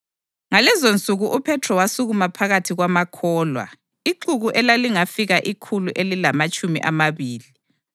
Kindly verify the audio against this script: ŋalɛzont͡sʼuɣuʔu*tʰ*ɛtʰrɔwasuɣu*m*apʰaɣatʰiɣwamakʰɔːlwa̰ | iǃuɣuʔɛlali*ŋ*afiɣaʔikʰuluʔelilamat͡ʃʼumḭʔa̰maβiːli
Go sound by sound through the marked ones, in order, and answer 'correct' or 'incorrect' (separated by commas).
incorrect, correct, correct